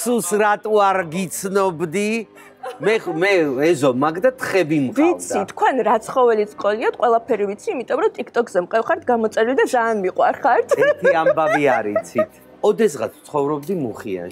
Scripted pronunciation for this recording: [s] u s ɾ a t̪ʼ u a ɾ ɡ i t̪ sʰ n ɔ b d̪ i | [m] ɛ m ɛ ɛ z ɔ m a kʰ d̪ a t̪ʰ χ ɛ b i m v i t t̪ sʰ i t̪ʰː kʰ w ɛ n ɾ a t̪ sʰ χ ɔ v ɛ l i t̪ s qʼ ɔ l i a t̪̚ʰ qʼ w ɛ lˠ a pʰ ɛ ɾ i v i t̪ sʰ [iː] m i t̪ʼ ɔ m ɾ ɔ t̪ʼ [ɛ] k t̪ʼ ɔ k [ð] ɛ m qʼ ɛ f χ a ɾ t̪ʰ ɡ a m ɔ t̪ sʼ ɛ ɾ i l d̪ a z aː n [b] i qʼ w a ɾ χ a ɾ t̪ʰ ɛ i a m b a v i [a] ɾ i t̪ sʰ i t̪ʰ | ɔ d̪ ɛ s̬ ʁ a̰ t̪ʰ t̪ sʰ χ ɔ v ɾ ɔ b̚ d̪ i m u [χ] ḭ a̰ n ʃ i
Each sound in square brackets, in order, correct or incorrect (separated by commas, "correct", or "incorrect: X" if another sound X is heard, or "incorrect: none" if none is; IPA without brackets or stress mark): correct, correct, correct, incorrect: i, incorrect: z, incorrect: m, correct, correct